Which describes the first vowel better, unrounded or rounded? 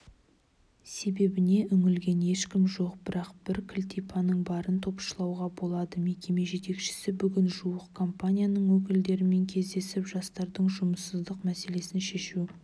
unrounded